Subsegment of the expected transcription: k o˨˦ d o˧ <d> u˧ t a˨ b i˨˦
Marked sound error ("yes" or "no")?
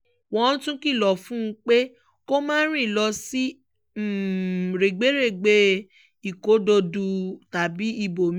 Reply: no